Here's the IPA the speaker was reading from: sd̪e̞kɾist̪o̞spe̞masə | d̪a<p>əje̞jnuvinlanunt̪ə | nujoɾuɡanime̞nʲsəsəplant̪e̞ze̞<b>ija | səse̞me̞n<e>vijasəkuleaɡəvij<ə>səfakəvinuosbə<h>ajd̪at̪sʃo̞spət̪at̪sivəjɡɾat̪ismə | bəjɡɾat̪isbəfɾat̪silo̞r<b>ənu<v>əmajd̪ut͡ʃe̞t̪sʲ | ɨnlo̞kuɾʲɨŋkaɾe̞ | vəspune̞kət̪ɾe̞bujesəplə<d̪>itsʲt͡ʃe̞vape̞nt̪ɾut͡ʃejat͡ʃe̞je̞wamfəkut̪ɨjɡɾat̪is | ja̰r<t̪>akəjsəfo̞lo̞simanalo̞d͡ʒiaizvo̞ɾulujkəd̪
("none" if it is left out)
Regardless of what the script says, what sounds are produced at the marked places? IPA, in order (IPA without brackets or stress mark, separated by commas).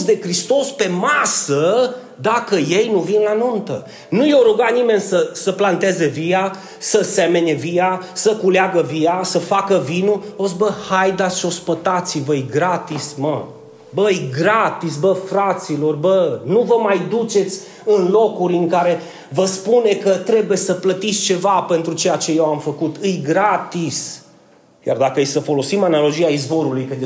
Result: k, v, e, a, h, b, v, t̪, d̪